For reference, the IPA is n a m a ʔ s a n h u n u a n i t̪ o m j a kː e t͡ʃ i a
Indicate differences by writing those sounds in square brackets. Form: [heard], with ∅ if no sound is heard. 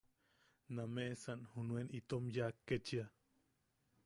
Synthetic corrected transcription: n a m [e] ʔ s a n h u n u [e] n i t̪ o m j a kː e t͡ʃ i a